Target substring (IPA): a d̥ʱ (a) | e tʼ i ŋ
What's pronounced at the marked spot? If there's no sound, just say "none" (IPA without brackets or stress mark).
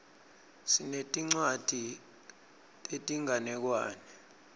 i